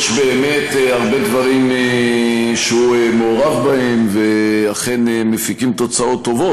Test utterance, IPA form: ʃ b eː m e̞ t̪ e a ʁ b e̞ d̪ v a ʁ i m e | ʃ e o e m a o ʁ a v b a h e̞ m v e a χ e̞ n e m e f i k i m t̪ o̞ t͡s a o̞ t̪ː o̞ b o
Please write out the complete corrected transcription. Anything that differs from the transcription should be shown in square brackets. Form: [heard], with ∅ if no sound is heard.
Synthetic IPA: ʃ b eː m e̞ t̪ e a ʁ b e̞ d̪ v a ʁ i m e | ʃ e [u] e m [e] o ʁ a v b a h e̞ m v e a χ e̞ n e m e f i k i m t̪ o̞ t͡s a o̞ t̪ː o̞ [v] o